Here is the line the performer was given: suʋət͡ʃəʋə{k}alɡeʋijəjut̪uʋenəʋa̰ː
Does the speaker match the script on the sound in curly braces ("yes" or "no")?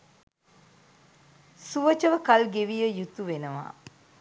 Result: yes